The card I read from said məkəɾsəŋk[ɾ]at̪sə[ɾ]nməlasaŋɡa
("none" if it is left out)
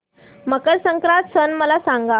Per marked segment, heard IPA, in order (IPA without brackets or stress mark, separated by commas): ɾ, none